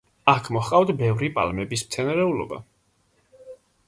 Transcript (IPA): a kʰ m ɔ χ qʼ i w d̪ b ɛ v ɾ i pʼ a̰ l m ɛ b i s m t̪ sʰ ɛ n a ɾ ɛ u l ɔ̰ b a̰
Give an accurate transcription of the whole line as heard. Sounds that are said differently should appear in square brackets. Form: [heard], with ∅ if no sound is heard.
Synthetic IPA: a kʰ m ɔ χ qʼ [a] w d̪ b ɛ v ɾ i pʼ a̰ l m ɛ b i s m t̪ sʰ ɛ n a ɾ ɛ u l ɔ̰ b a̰